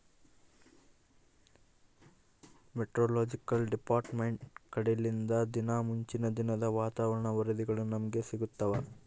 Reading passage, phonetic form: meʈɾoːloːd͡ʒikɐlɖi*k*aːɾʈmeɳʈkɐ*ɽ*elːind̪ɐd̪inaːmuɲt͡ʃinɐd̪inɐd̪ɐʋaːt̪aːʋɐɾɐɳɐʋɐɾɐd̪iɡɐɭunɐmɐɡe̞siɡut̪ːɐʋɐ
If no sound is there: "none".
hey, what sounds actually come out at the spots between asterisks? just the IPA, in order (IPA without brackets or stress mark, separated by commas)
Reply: p, ɽ